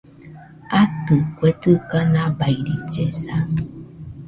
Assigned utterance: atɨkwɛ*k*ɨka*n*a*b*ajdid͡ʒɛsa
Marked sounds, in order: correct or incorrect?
incorrect: t, correct, correct

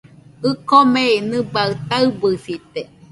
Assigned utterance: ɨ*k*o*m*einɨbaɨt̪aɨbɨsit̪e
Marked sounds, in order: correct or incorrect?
correct, correct

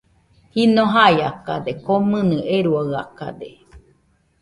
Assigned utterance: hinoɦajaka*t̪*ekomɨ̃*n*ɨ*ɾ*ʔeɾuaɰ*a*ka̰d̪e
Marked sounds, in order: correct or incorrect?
incorrect: d̪, correct, incorrect: none, correct

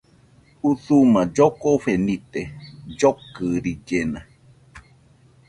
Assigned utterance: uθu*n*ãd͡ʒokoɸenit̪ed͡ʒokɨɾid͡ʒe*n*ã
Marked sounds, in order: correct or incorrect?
incorrect: m, correct

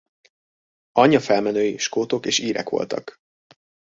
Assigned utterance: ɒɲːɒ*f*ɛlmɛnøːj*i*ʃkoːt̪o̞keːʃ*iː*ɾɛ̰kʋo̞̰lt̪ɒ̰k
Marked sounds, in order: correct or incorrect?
correct, correct, correct

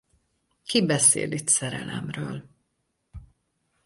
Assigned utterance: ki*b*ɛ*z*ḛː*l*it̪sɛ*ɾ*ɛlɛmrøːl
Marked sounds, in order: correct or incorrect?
correct, incorrect: s, correct, correct

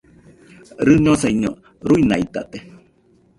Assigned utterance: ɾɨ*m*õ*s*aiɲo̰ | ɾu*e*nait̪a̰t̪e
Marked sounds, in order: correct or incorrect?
incorrect: ɲ, correct, incorrect: i

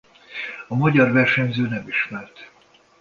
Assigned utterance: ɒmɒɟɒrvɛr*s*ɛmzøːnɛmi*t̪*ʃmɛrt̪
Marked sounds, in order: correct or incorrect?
incorrect: ʃ, incorrect: none

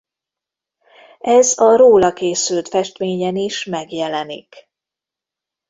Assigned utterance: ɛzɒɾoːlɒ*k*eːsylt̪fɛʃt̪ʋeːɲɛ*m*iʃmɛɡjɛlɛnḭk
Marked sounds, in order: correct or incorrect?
correct, incorrect: n

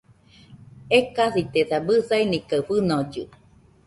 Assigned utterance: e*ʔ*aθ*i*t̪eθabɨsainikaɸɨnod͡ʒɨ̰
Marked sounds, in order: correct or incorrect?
incorrect: k, correct

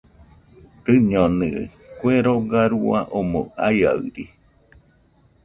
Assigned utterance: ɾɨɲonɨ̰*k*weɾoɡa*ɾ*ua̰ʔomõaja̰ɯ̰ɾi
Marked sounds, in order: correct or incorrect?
correct, correct

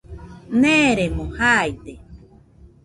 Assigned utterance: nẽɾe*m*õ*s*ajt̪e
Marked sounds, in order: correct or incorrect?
correct, incorrect: h

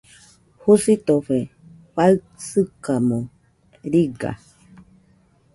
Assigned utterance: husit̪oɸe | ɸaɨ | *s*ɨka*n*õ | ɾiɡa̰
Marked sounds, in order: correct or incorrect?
correct, incorrect: m

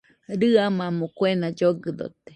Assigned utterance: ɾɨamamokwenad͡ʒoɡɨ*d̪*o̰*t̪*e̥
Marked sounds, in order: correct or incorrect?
correct, correct

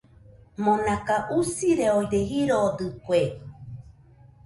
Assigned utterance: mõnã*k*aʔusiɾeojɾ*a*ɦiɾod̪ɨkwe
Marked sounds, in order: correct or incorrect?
correct, incorrect: e

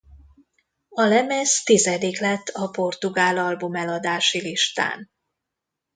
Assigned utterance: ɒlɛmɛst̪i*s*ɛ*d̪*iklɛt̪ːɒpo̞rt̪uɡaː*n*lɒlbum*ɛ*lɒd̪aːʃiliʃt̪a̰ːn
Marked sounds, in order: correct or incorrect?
incorrect: z, correct, incorrect: none, correct

